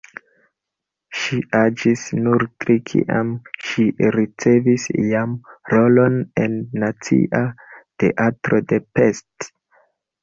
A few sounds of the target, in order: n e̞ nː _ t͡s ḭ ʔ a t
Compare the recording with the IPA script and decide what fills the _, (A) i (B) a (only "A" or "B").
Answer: B